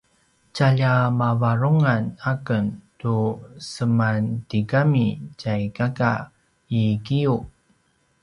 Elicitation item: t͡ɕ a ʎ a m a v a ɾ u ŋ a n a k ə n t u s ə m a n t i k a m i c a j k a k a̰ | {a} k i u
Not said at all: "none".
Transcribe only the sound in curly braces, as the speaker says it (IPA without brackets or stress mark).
i